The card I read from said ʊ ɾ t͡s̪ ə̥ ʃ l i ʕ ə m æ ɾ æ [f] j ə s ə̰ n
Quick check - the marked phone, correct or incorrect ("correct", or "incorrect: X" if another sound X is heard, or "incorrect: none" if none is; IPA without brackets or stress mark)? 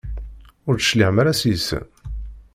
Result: incorrect: s